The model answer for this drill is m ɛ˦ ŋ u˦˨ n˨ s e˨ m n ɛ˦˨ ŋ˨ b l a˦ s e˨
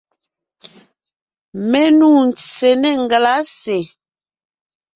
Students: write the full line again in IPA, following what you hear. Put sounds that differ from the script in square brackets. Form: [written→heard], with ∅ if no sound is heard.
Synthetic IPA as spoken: m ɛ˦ [ŋ→n] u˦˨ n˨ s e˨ [m→∅] n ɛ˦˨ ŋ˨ [b→ɡ] l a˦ s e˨